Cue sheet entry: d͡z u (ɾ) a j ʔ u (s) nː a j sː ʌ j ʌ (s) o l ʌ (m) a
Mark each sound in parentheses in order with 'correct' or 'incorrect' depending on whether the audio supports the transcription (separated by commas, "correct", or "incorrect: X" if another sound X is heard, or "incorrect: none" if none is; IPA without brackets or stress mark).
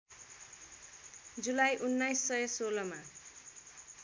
incorrect: l, incorrect: none, correct, correct